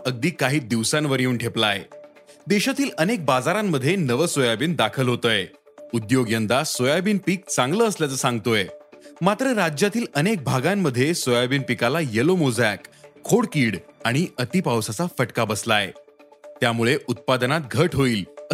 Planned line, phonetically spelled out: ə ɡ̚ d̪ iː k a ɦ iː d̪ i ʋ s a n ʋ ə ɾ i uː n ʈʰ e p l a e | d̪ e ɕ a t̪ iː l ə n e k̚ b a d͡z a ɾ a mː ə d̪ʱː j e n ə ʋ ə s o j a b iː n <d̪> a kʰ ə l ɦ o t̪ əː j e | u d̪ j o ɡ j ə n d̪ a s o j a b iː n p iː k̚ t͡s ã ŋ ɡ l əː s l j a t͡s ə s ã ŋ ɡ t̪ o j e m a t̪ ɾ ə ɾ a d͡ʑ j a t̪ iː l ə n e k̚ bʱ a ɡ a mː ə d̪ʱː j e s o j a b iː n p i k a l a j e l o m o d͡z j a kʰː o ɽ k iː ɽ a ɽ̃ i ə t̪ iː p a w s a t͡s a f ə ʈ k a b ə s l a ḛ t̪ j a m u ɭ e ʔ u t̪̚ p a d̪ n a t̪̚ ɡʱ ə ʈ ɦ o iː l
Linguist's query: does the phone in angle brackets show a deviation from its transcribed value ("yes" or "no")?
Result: no